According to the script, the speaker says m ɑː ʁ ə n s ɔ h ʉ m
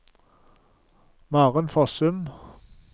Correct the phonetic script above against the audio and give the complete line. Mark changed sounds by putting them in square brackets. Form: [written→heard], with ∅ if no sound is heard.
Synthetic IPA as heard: m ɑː ʁ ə n [s→f] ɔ [h→s] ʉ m